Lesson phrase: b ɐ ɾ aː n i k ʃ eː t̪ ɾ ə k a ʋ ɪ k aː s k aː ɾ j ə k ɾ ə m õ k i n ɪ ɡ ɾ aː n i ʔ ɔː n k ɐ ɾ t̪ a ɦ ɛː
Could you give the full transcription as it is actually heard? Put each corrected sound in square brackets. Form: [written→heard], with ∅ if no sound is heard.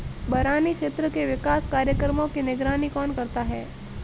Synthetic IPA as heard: b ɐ ɾ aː n i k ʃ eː t̪ ɾ ə k [a→e] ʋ ɪ k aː s k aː ɾ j ə k ɾ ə m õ k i n ɪ ɡ ɾ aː n i [ʔ→k] ɔː n k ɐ ɾ t̪ a ɦ ɛː